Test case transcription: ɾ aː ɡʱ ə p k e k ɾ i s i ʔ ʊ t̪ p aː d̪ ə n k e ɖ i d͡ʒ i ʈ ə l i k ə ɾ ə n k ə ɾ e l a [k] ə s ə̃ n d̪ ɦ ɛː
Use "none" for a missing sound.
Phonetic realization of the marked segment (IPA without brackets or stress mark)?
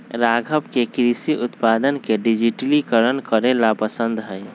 p